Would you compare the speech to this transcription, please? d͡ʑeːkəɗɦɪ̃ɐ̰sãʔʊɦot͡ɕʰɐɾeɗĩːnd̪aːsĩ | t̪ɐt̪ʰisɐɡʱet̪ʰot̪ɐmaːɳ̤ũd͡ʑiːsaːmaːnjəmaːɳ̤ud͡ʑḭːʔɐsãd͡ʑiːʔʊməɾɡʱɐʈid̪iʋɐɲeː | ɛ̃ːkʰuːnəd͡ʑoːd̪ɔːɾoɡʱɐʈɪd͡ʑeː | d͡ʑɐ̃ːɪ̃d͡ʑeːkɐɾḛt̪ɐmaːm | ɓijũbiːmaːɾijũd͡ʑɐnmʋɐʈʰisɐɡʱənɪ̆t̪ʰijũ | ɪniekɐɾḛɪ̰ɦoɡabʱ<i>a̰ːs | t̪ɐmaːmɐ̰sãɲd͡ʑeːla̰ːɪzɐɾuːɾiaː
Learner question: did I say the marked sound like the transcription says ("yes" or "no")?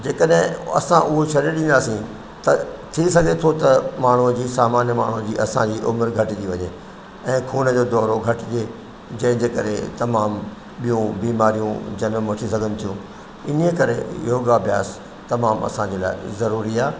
no